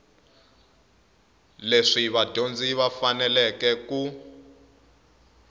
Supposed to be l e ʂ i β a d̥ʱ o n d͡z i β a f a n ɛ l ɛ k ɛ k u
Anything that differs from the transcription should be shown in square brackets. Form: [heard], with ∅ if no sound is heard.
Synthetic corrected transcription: l e ʂ i β a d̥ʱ o n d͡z i β a f a n ɛ l ɛ k ɛ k u